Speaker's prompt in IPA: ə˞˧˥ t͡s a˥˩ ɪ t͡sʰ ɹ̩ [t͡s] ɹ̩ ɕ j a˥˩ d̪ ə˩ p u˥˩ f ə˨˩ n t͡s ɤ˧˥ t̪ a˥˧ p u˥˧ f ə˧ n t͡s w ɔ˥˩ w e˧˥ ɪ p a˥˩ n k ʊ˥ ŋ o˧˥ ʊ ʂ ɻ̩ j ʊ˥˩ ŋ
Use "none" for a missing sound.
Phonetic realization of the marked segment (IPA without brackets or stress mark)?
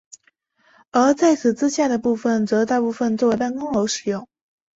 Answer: t͡s